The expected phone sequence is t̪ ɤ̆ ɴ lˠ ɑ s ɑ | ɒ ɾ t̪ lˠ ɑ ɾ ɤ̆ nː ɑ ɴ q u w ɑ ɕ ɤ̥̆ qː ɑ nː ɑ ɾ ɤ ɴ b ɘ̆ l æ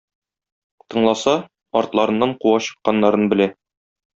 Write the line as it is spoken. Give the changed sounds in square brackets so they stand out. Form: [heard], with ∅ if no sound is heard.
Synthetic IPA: t̪ ɤ̆ ɴ lˠ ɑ s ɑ | ɒ ɾ t̪ lˠ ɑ ɾ ɤ̆ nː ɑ ɴ q u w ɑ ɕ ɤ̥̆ qː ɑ nː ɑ ɾ ɤ [n] b ɘ̆ l æ